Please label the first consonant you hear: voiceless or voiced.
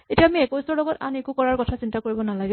voiceless